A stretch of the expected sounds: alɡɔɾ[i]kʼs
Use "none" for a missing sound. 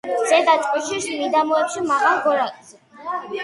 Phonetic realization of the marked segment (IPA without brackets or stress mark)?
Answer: a